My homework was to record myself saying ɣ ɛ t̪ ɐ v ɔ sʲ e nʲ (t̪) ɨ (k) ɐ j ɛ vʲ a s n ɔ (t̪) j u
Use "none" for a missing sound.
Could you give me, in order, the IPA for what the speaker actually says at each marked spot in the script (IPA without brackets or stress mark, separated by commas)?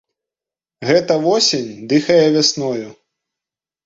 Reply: d̪, x, none